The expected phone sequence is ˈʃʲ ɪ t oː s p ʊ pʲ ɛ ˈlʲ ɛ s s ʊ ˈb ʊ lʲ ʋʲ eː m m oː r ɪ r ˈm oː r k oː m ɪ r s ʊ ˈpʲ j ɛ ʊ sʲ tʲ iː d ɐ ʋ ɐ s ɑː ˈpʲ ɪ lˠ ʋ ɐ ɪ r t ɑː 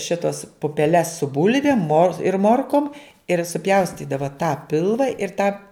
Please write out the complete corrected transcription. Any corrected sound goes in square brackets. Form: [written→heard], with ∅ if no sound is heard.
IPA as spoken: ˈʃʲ ɪ t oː s p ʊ pʲ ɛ ˈlʲ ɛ s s ʊ ˈb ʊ lʲ ʋʲ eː m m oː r ɪ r ˈm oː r k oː m ɪ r s ʊ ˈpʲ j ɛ ʊ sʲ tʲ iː d ɐ ʋ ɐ [s→t] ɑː ˈpʲ ɪ lˠ ʋ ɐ ɪ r t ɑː